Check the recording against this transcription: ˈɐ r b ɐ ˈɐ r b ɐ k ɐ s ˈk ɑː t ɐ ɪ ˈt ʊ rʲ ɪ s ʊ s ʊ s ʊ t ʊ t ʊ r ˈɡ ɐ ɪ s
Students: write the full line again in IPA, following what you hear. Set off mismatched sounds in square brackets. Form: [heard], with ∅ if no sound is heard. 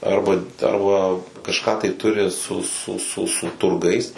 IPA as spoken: ˈɐ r b ɐ ˈɐ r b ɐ k ɐ [ʃ] ˈk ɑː t ɐ ɪ ˈt ʊ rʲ ɪ s ʊ s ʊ s ʊ [s] ʊ t ʊ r ˈɡ ɐ ɪ s